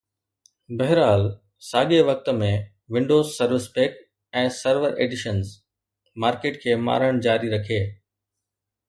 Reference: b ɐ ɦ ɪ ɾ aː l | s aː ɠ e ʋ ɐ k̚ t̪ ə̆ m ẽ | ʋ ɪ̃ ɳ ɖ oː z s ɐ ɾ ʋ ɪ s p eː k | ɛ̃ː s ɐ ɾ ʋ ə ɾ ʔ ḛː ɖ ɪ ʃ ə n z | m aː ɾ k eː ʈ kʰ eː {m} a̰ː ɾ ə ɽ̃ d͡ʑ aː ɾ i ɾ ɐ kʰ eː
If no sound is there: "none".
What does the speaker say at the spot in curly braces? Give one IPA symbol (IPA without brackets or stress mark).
m